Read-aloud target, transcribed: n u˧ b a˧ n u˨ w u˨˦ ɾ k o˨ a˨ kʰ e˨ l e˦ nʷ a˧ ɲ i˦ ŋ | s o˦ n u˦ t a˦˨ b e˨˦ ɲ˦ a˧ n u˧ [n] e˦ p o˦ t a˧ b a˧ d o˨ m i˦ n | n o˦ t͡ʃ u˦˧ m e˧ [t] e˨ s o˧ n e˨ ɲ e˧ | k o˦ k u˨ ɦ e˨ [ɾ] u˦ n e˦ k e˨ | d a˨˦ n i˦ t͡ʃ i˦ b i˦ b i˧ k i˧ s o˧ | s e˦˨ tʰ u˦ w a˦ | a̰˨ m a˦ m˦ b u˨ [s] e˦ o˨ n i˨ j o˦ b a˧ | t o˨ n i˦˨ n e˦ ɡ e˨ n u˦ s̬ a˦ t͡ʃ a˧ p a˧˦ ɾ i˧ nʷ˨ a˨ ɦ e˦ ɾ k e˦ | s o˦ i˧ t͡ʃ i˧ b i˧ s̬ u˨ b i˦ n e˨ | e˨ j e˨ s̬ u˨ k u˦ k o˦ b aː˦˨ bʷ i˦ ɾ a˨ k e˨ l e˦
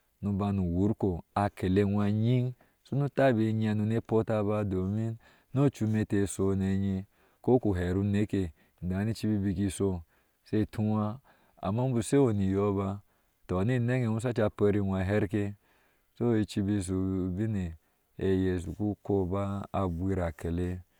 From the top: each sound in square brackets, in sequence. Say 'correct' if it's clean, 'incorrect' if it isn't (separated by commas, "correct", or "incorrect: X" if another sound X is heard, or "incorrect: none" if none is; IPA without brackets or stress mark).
correct, correct, correct, correct